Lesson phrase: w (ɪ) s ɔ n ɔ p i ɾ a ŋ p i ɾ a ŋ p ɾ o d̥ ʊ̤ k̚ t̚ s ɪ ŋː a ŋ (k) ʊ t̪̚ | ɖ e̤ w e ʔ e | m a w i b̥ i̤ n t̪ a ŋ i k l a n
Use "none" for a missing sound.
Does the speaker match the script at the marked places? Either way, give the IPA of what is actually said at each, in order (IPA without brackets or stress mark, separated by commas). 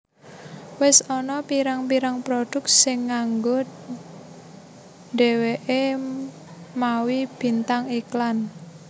ɪ, ɡ